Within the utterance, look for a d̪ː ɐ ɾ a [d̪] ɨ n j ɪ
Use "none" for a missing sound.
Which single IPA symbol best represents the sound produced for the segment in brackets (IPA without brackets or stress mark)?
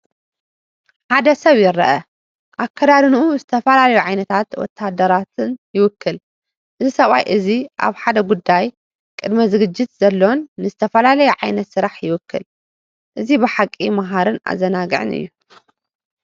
t̪